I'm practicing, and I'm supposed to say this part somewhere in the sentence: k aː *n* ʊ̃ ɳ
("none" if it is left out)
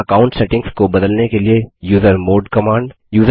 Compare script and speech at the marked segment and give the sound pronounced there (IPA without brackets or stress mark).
none